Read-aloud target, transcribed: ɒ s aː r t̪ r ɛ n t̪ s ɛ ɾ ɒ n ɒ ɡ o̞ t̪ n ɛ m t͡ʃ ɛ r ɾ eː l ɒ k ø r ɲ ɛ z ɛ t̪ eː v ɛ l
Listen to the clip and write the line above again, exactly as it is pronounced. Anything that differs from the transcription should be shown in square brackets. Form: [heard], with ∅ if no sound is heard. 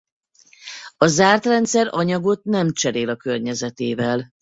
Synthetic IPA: ɒ [z] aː r t̪ r ɛ n t̪ s ɛ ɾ ɒ [ɲ] ɒ ɡ o̞ t̪ n ɛ m t͡ʃ ɛ [∅] ɾ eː l ɒ k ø r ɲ ɛ z ɛ t̪ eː v ɛ l